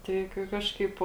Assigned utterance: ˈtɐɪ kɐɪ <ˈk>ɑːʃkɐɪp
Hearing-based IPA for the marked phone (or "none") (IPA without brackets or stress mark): k